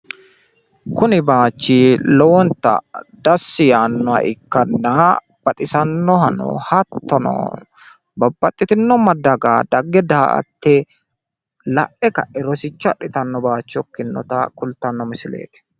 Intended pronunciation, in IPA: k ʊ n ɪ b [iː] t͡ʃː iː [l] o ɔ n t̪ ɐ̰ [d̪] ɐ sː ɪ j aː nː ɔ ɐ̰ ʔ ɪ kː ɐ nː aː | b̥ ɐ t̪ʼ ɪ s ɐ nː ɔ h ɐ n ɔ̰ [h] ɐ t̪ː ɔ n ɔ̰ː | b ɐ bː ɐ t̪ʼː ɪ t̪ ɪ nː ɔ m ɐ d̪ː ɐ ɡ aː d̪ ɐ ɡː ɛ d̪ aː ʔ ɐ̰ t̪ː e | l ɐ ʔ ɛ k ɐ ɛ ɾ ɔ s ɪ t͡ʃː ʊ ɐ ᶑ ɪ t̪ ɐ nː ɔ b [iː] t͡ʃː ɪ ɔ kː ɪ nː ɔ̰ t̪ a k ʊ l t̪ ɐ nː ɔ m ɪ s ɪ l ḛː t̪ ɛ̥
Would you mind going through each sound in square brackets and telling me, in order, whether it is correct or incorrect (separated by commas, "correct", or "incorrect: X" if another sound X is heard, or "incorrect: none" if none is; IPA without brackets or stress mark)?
incorrect: aː, correct, correct, correct, incorrect: aː